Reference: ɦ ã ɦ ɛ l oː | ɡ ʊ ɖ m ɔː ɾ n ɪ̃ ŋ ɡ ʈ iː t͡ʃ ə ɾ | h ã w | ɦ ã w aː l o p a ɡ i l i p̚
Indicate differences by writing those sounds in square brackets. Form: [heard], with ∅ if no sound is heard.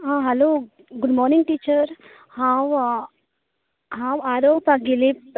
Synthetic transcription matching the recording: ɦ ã ɦ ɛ l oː | ɡ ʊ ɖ m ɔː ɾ n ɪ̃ ŋ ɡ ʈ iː t͡ʃ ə ɾ | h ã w | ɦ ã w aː [ɾ] o p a ɡ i l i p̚